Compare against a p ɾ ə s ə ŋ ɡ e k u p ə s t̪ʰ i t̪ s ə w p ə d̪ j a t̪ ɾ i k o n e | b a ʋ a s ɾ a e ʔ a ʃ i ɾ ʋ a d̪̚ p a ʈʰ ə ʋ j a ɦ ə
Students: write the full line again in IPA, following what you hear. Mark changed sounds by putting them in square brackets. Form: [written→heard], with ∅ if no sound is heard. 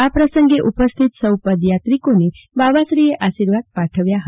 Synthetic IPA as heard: a p ɾ ə s ə ŋ ɡ e [k→ʔ] u p ə s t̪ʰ i t̪ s ə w p ə d̪ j a t̪ ɾ i k o n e | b a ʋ a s ɾ [a→i] e ʔ a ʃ i ɾ ʋ a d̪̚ p a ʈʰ ə ʋ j a ɦ ə